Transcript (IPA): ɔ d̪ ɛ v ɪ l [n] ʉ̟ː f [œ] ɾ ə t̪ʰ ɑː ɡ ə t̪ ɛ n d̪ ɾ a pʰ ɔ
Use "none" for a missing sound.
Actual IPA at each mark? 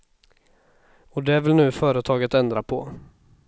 n, œː

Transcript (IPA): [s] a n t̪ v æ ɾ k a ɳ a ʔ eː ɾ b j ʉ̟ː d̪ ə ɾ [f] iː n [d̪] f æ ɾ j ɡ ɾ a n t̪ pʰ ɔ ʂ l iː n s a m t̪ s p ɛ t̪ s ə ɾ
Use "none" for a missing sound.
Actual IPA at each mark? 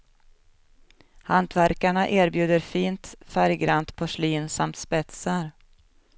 h, f, t̪

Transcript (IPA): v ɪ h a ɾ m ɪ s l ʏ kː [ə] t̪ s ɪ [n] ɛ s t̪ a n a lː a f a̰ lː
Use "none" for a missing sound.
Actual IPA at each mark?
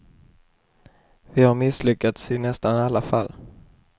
a, n

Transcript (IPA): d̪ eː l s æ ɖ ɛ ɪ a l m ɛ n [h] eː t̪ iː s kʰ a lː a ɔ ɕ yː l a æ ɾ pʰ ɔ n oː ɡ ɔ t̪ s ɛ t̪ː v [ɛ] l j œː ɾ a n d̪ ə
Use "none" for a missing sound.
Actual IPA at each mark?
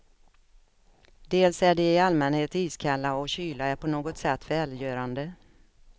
h, ɛː

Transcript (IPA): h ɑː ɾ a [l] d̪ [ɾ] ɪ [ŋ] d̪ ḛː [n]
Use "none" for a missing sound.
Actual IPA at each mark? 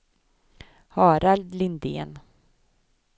l, l, n, n

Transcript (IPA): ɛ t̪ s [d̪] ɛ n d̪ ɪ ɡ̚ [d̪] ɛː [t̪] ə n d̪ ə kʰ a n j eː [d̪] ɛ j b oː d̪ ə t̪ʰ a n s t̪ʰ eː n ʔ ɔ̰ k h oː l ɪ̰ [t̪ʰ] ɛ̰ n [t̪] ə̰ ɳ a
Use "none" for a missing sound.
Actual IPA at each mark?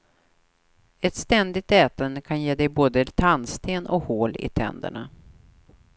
t̪, t̪, t̪, d̪, t̪ʰ, d̪

